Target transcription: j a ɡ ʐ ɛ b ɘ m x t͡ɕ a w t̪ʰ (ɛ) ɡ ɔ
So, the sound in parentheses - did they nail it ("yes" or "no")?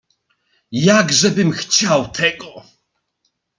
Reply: yes